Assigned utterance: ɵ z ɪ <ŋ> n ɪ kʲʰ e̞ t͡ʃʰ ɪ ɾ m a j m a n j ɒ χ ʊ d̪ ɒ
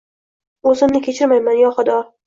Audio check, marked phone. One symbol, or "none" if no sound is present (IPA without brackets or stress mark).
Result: m